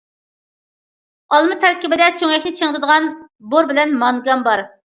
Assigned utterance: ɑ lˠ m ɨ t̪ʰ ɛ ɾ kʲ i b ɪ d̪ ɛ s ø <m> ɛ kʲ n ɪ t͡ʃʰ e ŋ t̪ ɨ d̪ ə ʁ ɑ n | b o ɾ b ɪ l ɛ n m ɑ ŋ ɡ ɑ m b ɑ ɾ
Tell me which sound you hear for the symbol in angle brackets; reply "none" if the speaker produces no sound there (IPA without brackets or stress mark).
ŋ